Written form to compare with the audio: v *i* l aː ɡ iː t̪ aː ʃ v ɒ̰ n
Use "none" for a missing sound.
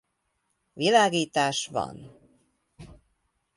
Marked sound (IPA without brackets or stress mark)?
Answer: i